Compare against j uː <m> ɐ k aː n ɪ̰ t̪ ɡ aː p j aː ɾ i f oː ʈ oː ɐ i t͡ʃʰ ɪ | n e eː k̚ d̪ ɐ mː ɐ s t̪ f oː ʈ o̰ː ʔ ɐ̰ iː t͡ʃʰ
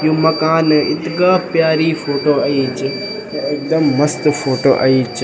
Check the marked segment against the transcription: correct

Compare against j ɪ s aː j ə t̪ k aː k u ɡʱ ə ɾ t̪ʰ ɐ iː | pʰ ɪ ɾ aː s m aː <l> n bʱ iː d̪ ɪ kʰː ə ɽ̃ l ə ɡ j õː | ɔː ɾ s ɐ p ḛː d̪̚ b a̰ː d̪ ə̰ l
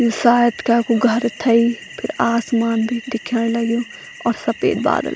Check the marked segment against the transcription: incorrect: none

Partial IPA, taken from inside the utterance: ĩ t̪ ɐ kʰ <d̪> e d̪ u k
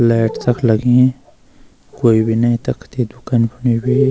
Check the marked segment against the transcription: incorrect: t̪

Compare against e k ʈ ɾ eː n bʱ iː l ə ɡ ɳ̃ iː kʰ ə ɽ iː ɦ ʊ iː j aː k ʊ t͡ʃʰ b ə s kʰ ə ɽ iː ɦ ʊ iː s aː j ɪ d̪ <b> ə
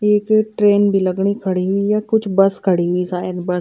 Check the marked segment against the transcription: correct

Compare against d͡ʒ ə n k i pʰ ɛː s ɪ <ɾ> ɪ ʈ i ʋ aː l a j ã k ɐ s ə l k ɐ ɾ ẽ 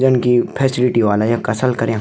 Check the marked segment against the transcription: incorrect: l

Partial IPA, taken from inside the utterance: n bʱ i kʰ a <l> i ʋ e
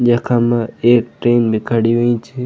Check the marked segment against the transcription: incorrect: ɽ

